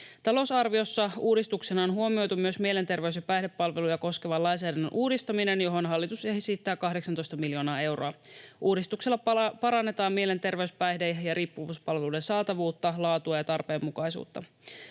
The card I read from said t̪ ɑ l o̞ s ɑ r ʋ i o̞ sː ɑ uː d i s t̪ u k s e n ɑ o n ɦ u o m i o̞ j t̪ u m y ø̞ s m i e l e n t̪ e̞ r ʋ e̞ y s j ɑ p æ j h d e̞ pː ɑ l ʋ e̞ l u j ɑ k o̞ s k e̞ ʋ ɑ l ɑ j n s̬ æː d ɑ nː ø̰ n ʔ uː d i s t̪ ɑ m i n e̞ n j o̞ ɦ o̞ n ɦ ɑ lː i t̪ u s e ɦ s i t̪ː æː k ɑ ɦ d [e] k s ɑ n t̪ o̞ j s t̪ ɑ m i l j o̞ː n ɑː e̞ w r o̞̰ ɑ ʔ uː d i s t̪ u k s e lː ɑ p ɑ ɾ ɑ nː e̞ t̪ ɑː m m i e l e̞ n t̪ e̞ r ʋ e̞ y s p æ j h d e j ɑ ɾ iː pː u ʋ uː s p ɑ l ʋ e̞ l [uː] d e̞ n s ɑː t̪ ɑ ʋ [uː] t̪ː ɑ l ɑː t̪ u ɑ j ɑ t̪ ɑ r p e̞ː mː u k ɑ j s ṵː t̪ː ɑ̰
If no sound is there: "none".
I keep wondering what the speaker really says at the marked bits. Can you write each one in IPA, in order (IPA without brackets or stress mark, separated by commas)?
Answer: e, u, uː